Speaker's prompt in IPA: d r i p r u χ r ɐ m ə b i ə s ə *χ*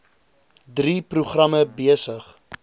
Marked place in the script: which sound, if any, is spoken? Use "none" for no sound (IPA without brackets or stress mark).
χ